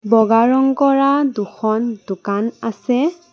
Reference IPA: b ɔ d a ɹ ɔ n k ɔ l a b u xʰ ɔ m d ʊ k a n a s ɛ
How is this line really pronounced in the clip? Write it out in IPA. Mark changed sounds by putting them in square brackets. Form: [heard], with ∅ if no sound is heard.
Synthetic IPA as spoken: b ɔ [ɡ] a ɹ ɔ [ŋ] k ɔ [ɹ] a [d] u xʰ ɔ [n] d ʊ k a n a s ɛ